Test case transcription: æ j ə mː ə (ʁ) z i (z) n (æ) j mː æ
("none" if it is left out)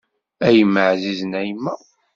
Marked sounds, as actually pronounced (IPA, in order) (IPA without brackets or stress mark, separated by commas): ʕ, z, æ